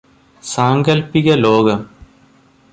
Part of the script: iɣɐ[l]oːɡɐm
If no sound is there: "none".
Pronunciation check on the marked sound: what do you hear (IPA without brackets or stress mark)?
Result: l